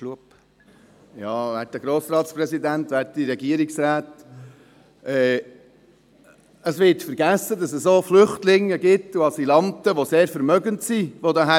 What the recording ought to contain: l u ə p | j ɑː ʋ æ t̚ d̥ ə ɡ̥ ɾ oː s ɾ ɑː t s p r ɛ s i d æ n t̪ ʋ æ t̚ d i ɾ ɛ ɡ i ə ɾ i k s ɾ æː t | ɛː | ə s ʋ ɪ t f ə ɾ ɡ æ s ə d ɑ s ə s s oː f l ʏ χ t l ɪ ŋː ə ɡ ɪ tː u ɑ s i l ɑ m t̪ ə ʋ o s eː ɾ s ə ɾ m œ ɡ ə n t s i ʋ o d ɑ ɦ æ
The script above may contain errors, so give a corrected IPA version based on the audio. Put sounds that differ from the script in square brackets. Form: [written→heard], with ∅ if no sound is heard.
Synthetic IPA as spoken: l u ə p | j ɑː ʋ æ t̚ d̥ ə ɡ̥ ɾ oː s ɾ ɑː t s p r ɛ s i d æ n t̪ ʋ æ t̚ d i ɾ ɛ ɡ i ə ɾ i k s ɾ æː t | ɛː | ə s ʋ ɪ t f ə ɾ ɡ æ s ə d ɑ s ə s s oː f l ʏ χ t l ɪ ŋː ə ɡ ɪ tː u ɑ s i l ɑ [m→n] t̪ ə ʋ o s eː ɾ [s→f] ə ɾ m œ ɡ ə n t s i ʋ o d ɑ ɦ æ